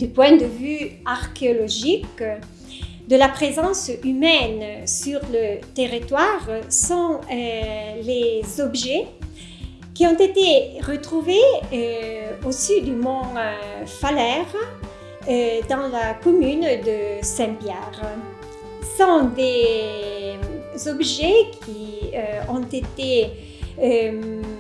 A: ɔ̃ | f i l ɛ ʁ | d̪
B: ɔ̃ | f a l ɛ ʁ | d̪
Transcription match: B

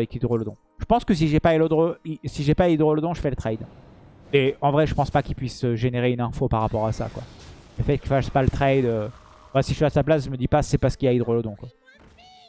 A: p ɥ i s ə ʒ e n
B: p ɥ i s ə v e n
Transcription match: A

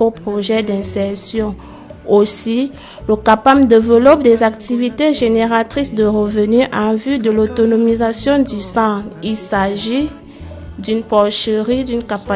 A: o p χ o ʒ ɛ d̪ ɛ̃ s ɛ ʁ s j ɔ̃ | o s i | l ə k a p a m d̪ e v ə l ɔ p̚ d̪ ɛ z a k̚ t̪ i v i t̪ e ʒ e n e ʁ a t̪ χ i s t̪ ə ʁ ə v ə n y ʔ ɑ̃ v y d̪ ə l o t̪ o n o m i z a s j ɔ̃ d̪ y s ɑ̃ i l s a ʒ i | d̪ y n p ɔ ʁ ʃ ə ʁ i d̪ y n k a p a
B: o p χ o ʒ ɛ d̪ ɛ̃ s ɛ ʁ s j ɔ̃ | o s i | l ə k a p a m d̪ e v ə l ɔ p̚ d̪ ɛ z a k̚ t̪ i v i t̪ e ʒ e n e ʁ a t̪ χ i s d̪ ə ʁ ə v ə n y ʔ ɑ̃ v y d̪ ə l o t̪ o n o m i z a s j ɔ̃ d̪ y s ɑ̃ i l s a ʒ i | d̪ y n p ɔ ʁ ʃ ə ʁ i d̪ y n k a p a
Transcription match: B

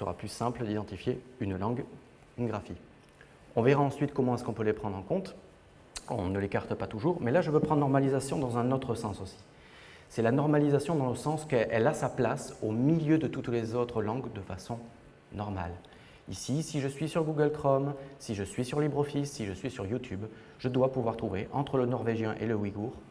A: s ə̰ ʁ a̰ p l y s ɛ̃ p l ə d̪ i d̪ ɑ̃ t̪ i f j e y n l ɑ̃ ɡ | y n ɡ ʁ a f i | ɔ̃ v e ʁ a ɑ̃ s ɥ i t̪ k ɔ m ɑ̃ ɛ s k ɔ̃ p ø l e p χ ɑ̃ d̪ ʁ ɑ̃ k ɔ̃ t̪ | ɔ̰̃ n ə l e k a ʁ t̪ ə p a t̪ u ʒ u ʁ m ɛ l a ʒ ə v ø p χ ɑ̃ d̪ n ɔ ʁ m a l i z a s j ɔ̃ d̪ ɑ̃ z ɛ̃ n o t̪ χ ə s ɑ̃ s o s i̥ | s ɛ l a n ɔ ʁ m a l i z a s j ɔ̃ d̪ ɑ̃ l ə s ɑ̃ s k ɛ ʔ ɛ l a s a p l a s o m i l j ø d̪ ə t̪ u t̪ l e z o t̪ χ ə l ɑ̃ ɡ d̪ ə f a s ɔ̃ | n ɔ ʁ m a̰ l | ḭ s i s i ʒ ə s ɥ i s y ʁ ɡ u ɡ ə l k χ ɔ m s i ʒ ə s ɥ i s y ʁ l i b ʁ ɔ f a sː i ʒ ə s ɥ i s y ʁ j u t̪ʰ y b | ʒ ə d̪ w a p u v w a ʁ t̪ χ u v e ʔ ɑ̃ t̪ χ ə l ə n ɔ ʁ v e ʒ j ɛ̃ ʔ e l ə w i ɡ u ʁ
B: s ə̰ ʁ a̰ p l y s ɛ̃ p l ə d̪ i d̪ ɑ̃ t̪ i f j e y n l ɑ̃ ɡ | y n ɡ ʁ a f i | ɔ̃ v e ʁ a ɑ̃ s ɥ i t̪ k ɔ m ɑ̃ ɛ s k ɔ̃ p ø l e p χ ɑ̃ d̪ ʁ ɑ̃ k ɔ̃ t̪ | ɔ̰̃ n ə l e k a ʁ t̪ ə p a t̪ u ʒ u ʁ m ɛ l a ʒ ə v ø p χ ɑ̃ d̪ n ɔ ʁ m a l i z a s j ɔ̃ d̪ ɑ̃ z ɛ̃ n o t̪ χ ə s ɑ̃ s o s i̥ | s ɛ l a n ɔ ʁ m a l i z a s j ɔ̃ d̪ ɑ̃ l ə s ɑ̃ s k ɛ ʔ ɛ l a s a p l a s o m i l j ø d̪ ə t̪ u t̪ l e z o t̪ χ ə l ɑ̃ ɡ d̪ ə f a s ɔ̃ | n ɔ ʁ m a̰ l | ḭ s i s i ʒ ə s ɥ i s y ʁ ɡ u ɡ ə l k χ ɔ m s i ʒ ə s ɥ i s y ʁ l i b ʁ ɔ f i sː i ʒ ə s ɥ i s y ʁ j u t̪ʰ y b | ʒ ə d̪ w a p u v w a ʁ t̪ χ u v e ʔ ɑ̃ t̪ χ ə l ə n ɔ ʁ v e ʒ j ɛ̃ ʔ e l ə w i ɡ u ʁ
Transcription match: B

